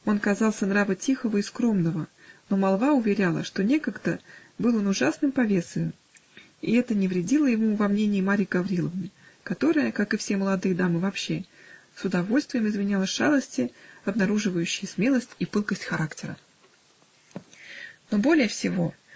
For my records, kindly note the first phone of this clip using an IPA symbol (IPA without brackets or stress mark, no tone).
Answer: o̞